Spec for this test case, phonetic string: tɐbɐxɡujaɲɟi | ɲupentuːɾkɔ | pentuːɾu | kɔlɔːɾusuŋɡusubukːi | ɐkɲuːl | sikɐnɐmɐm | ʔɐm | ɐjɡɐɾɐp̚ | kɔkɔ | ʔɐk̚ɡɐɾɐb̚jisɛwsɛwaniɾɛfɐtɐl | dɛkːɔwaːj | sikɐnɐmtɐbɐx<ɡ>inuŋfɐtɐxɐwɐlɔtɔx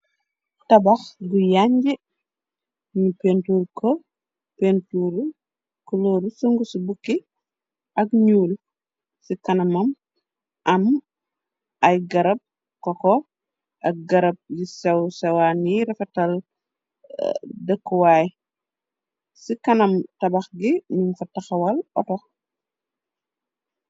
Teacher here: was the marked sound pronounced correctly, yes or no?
yes